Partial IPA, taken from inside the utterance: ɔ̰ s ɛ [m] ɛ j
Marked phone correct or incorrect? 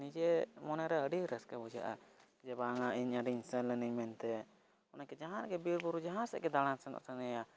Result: incorrect: n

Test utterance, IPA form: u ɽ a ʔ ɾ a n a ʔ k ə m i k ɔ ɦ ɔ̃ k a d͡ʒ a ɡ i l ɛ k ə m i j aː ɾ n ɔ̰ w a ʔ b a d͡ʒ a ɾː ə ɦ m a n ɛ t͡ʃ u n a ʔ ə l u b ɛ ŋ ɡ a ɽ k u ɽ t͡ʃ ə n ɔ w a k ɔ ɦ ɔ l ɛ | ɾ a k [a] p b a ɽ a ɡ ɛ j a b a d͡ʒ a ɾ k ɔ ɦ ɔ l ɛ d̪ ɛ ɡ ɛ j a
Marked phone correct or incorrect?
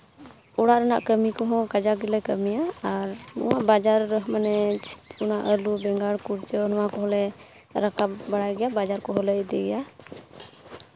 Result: correct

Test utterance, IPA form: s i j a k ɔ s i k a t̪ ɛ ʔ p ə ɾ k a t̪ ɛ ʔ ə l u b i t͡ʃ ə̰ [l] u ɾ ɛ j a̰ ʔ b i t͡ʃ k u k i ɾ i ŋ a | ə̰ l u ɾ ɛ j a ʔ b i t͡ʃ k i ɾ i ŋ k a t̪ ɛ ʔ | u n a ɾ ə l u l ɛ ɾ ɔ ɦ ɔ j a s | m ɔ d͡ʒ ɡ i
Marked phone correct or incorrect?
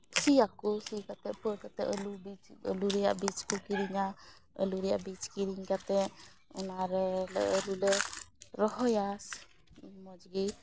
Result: correct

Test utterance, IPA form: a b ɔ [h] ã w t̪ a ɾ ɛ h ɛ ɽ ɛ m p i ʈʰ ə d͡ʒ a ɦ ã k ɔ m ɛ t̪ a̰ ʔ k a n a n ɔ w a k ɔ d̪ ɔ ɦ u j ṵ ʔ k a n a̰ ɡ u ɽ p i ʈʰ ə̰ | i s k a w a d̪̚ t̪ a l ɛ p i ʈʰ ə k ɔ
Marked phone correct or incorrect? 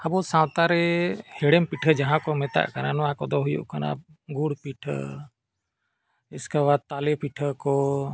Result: incorrect: s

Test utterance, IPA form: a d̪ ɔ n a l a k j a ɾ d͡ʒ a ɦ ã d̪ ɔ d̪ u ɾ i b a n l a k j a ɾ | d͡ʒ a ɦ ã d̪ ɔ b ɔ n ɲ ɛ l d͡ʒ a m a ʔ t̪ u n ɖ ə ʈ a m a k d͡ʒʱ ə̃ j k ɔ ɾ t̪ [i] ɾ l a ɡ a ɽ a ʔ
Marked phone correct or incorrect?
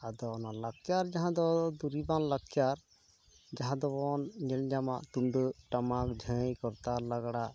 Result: incorrect: a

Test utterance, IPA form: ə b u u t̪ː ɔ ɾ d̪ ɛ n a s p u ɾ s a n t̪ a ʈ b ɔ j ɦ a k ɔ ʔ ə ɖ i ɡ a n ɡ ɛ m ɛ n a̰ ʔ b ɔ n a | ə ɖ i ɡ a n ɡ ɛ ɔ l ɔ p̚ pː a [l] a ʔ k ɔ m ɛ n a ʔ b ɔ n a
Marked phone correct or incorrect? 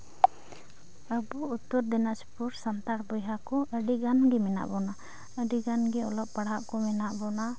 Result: incorrect: ɽ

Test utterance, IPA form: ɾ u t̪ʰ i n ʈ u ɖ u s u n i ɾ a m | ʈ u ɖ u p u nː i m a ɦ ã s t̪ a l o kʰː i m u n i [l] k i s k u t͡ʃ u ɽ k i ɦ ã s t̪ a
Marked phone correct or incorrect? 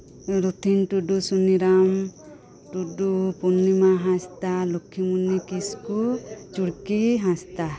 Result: incorrect: none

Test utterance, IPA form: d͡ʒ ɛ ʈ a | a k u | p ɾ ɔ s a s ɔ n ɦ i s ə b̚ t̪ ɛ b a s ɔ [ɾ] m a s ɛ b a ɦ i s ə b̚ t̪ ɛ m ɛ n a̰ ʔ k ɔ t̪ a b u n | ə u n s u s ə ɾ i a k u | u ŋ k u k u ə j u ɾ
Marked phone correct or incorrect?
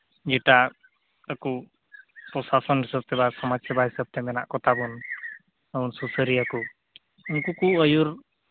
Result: incorrect: none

